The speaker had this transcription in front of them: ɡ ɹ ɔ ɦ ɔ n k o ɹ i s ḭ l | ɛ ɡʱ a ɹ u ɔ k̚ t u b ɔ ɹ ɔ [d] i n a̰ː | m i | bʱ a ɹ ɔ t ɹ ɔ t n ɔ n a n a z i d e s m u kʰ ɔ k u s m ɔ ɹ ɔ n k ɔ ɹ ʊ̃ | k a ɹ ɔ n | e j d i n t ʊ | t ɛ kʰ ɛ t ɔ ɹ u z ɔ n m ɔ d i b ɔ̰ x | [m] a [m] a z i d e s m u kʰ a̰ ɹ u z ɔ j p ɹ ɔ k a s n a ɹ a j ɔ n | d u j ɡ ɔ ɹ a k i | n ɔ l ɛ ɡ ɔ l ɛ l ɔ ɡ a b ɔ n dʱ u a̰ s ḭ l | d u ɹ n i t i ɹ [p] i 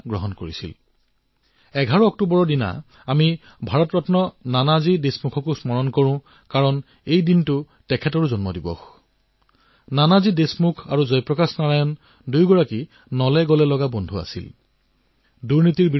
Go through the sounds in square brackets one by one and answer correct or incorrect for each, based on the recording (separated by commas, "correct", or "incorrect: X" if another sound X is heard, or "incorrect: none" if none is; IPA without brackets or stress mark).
correct, incorrect: n, incorrect: n, incorrect: b